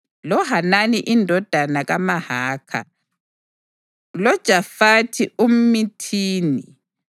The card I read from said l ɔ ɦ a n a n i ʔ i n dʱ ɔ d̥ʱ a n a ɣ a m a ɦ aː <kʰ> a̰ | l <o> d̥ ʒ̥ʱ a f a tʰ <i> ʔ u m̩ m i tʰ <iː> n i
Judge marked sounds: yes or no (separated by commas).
yes, no, yes, yes